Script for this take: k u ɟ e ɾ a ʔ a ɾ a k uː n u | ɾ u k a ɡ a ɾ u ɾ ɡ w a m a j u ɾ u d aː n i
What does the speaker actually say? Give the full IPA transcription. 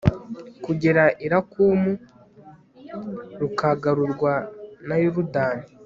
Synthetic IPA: k u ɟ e ɾ a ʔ i ɾ a k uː m u | ɾ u k a ɡ a ɾ u ɾ ɡ w a n a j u ɾ u d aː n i